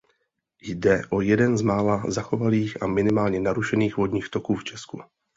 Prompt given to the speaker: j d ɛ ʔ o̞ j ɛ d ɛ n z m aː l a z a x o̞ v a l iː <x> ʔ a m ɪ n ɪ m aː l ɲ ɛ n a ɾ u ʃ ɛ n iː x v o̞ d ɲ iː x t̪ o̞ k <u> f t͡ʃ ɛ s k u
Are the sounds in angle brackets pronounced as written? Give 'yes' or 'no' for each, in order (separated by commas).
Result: yes, no